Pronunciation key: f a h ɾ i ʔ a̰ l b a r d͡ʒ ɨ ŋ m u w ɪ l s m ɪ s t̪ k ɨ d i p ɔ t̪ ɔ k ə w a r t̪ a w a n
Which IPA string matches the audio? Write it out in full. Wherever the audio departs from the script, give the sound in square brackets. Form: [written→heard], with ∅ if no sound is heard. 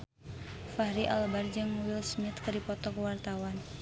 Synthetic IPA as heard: f a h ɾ i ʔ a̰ l b a r d͡ʒ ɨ ŋ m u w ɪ l s m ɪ [s→∅] t̪ k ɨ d i p ɔ t̪ ɔ k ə w a r t̪ a w a n